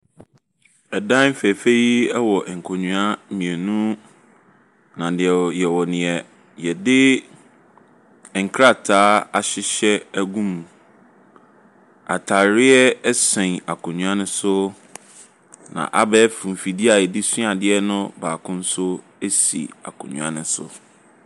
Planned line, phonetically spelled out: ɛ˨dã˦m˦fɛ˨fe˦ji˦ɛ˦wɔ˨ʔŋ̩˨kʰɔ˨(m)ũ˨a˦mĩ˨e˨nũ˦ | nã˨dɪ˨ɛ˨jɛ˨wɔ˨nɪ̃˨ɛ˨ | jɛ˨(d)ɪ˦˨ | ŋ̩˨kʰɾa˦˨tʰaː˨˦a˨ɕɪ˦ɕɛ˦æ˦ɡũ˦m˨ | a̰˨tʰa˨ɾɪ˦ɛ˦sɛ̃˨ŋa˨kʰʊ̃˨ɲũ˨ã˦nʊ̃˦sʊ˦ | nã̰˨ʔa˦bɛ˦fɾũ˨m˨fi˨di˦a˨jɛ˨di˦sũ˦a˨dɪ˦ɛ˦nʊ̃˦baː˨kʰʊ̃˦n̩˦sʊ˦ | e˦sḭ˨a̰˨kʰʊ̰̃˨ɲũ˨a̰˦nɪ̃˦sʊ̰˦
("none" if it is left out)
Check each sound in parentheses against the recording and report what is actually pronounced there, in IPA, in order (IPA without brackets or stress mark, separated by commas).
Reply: ɲ, d